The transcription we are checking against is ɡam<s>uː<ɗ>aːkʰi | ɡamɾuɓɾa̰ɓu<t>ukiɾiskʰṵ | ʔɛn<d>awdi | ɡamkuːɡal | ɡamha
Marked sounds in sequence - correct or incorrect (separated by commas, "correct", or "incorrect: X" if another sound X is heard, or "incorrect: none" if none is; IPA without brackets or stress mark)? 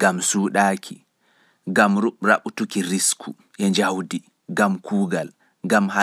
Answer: correct, correct, correct, incorrect: d͡ʒ